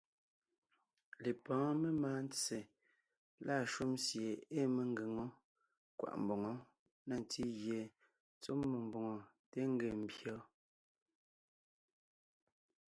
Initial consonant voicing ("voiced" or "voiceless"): voiced